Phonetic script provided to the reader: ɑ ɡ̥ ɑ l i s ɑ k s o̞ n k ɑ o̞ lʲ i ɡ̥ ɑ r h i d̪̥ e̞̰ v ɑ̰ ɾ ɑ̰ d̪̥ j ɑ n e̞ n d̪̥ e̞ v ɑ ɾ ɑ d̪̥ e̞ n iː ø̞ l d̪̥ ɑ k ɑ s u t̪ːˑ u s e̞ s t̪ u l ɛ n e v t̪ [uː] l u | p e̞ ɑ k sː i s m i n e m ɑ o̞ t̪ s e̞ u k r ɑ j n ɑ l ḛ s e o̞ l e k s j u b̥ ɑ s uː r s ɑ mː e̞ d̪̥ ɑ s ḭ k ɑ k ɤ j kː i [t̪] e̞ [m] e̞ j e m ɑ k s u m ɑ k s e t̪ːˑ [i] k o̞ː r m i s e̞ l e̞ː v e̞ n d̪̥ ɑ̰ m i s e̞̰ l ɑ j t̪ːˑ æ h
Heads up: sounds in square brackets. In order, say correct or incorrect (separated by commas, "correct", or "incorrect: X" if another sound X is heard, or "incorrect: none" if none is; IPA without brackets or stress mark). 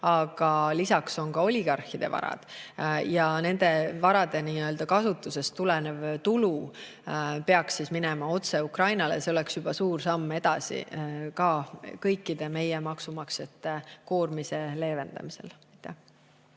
incorrect: u, incorrect: d̪, correct, incorrect: e